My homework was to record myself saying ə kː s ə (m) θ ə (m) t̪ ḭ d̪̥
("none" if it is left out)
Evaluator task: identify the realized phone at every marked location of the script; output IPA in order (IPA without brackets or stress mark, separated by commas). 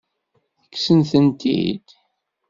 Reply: n, n